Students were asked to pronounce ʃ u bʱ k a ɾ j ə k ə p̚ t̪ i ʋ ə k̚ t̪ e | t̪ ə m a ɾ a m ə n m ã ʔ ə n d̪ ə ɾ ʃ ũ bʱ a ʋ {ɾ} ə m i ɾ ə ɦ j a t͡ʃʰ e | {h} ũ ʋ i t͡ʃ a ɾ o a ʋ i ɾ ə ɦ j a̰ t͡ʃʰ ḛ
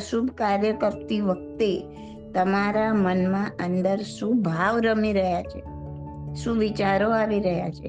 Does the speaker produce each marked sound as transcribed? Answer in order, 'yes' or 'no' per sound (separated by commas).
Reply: yes, no